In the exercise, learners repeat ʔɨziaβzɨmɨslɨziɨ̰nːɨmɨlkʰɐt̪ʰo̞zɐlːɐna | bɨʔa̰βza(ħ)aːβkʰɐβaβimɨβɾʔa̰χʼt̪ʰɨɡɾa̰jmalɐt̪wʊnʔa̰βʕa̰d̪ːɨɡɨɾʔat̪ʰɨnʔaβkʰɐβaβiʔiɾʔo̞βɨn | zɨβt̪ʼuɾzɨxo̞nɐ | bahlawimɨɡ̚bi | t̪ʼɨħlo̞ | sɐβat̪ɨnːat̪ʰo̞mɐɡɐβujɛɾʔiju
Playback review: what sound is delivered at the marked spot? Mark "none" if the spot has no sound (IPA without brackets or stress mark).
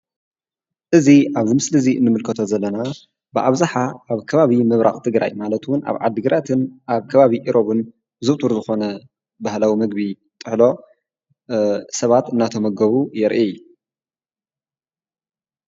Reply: ħ